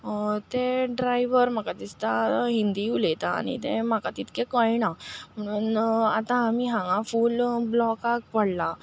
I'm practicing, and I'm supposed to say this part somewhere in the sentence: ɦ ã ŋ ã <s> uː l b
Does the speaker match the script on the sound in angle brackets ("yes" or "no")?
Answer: no